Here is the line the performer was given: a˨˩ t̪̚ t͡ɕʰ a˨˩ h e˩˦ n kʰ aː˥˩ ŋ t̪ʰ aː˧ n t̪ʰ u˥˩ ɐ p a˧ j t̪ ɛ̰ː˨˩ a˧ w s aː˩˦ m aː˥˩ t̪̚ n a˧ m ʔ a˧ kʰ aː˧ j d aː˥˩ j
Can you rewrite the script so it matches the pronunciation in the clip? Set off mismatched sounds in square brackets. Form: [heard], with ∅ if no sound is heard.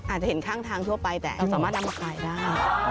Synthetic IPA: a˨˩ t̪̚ [t͡ɕ] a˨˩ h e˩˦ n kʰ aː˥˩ ŋ t̪ʰ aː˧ [ŋ] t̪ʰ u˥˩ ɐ p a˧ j t̪ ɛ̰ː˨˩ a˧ w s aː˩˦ m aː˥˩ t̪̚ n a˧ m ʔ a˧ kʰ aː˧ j d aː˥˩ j